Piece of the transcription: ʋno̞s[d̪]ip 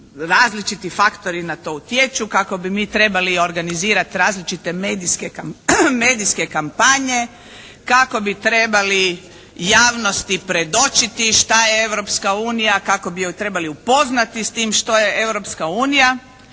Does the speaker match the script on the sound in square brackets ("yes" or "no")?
no